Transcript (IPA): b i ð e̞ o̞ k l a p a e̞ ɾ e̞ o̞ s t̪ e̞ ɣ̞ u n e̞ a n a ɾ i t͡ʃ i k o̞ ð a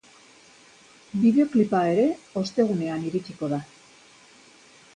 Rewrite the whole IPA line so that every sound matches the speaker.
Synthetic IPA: b i ð e̞ o̞ k l i p a e̞ ɾ e̞ o̞ s t̪ e̞ ɣ̞ u n e̞ a n i ɾ i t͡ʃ i k o̞ ð a